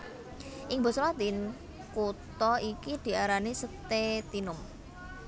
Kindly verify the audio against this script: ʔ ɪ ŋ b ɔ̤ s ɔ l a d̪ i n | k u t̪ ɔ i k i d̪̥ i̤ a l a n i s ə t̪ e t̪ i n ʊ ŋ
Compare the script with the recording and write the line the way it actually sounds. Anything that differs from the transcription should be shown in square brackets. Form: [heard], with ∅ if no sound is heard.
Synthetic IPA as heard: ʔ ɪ ŋ b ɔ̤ s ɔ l a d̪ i n | k u t̪ ɔ i k i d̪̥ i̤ a [ɾ] a n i s ə t̪ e t̪ i n ʊ [m]